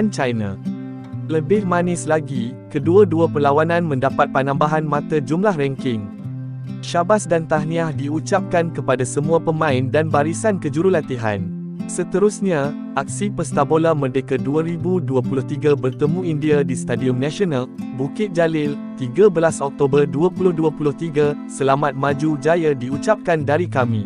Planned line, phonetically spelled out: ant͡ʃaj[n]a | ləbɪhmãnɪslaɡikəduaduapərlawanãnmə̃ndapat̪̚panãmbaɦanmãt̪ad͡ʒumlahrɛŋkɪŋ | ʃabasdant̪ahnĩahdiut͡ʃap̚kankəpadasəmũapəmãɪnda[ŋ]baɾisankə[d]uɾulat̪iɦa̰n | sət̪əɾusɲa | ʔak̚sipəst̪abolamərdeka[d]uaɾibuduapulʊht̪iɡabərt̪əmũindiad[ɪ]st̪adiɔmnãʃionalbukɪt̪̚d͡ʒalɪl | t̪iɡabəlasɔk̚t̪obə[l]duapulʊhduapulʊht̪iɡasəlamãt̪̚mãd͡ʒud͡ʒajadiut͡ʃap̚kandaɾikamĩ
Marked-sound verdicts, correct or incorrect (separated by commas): correct, incorrect, incorrect, correct, incorrect, incorrect